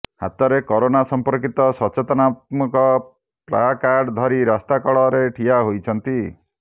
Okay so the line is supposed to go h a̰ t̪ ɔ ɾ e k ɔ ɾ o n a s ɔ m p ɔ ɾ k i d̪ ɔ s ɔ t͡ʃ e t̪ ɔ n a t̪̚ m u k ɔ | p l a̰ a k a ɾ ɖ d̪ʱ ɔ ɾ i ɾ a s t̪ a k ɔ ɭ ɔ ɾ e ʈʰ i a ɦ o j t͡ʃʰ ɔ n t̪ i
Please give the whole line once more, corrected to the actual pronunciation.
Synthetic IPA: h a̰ t̪ ɔ ɾ e k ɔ ɾ o n a s ɔ m p ɔ ɾ k i t̪ ɔ s ɔ t͡ʃ e t̪ ɔ n a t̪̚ m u k ɔ | p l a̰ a k a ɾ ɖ d̪ʱ ɔ ɾ i ɾ a s t̪ a k ɔ ɭ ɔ ɾ e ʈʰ i a ɦ o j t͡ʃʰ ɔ n t̪ i